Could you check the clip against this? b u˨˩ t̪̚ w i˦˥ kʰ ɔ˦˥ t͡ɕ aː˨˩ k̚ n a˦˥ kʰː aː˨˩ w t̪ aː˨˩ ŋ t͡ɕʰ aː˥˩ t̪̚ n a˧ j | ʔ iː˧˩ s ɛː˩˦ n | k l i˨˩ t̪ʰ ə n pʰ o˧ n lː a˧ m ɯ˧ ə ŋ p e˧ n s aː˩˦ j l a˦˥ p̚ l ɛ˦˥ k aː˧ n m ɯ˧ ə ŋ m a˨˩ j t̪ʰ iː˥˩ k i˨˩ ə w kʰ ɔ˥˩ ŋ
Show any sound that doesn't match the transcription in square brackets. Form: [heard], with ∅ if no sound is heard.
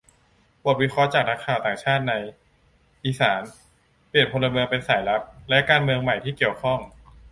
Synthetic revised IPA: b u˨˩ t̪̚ w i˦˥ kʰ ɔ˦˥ t͡ɕ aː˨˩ k̚ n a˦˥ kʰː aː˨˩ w t̪ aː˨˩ ŋ t͡ɕʰ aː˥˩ t̪̚ n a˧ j | ʔ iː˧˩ s [aː˩˦] n | [p] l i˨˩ [∅] ə n pʰ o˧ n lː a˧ m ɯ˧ ə ŋ p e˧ n s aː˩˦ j l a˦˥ p̚ l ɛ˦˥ k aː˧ n m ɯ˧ ə ŋ m a˨˩ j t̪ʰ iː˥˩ k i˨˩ ə w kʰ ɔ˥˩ ŋ